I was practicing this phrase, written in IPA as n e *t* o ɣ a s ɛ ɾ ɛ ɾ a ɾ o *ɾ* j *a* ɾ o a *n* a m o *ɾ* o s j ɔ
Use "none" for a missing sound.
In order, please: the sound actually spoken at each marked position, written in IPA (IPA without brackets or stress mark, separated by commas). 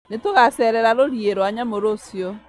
t, ɾ, e, ɲ, ɾ